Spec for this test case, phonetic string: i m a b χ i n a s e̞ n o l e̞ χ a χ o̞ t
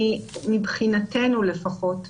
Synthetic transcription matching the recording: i m i b χ i n a t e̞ n u l e̞ f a χ o̞ t